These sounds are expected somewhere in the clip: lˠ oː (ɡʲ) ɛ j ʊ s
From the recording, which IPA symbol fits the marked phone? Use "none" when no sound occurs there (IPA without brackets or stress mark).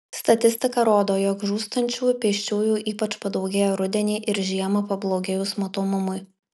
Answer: ɡʲ